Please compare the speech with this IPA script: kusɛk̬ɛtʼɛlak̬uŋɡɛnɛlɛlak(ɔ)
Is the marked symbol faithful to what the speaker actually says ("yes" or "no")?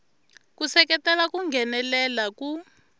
no